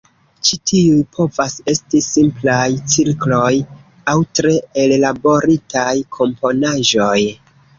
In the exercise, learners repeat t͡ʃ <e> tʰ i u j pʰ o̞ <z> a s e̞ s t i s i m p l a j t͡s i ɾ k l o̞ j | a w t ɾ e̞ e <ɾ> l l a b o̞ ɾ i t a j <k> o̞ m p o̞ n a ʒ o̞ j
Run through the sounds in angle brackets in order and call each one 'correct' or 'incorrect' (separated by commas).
incorrect, incorrect, incorrect, incorrect